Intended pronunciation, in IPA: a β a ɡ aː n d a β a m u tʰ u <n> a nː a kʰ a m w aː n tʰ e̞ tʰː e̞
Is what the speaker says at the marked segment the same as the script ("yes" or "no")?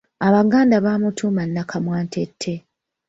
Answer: no